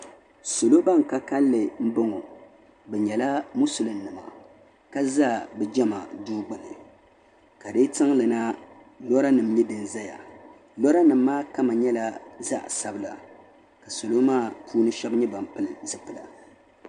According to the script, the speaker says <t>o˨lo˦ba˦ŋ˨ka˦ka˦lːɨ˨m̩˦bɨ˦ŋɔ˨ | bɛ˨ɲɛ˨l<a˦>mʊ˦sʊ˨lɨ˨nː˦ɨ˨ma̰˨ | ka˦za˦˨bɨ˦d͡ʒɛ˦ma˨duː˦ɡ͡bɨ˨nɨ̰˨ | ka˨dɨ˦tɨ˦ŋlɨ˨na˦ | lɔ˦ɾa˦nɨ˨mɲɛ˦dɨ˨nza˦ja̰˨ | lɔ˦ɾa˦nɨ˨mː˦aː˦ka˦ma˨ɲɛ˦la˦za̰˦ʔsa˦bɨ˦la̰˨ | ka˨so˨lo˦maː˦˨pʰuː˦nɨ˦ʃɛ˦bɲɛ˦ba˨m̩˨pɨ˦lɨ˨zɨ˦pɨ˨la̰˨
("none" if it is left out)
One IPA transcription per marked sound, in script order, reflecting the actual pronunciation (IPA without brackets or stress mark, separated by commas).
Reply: s, a˦